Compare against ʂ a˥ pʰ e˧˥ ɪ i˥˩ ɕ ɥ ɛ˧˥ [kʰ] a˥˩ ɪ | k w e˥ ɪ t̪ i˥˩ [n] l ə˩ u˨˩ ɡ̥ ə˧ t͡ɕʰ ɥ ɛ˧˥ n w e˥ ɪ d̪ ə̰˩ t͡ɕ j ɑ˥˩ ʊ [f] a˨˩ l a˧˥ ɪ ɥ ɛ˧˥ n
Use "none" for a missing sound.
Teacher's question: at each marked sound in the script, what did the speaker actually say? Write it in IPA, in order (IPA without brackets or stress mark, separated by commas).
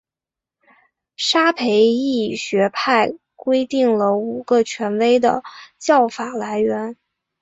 pʰ, ŋ, f